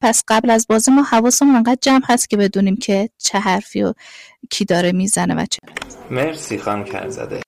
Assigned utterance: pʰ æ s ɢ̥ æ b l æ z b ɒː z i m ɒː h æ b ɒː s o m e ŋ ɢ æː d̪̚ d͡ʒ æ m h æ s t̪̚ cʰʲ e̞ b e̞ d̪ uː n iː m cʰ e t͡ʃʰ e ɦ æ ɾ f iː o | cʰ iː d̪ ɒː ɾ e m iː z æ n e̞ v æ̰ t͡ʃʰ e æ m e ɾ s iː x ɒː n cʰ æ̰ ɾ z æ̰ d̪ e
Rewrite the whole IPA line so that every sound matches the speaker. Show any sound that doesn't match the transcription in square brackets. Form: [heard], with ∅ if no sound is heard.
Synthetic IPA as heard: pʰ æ s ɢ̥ æ b l æ z b ɒː z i m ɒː h æ [v] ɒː s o m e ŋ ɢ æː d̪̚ d͡ʒ æ m h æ s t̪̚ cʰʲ e̞ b e̞ d̪ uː n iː m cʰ e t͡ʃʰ e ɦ æ ɾ f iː o | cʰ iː d̪ ɒː ɾ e m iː z æ n e̞ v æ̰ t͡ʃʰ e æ m e ɾ s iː x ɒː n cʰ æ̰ ɾ z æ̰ d̪ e